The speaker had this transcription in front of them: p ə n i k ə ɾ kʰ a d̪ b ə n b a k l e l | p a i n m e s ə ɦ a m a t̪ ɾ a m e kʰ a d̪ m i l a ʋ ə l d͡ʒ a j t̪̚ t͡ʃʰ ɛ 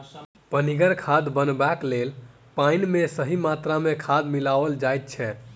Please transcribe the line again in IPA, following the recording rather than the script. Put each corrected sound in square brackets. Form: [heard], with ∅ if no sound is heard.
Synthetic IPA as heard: p ə n i [ɡ] ə ɾ kʰ a d̪ b ə n b a k l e l | p a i n m e s ə ɦ [i] m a t̪ ɾ a m e kʰ a d̪ m i l a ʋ ə l d͡ʒ a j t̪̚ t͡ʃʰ ɛ